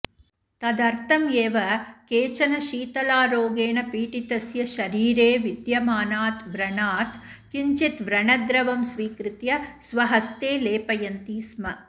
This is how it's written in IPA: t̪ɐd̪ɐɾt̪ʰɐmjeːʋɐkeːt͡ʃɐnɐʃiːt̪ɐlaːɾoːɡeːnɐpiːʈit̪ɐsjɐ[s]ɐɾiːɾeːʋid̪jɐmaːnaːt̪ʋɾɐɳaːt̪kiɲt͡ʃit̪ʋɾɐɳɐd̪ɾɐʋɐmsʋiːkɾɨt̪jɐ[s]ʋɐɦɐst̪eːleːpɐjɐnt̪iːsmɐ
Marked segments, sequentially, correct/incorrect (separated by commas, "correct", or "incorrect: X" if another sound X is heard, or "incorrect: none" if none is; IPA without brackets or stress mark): incorrect: ʃ, correct